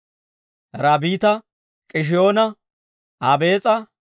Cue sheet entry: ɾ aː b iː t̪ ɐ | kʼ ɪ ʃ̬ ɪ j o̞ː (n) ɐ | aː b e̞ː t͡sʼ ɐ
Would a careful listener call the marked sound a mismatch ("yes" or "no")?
no